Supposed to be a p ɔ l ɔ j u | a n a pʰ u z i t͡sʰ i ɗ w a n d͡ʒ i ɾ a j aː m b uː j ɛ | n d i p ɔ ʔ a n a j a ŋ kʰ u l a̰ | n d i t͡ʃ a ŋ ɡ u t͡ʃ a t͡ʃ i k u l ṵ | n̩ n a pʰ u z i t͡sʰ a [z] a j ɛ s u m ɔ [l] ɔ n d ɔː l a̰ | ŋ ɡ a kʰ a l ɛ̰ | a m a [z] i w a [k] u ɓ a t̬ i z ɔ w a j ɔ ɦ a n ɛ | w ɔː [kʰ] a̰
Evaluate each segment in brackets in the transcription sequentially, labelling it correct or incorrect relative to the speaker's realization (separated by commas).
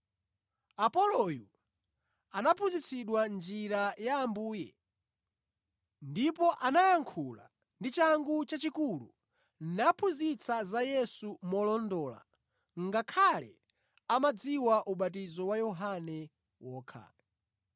correct, correct, incorrect, incorrect, correct